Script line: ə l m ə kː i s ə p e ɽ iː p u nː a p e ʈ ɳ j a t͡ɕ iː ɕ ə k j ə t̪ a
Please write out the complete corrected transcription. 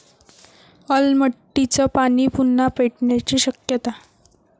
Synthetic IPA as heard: ə l m ə ʈː i t͡s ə p a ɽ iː p u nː a p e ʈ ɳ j a t͡ɕ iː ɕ ə k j ə t̪ a